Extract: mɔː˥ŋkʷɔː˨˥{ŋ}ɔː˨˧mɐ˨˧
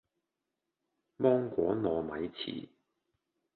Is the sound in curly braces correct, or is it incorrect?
incorrect